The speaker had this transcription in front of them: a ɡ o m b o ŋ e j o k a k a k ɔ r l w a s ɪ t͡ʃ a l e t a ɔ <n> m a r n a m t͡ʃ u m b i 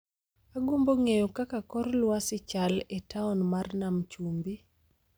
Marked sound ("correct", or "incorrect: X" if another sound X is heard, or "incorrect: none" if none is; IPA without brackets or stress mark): correct